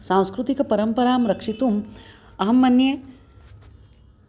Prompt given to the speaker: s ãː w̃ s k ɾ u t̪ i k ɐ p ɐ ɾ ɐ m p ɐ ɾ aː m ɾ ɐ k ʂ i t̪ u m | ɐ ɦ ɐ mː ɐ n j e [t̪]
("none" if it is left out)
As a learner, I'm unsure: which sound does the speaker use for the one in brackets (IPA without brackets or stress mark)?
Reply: none